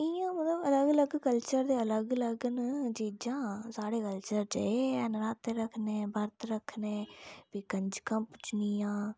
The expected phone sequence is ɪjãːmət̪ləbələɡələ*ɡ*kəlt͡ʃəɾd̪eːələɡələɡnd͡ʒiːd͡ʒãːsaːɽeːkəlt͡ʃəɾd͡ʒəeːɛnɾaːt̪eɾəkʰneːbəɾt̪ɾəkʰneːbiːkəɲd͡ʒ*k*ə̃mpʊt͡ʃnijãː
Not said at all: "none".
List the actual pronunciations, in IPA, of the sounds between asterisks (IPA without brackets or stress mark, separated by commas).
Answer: ɡ, k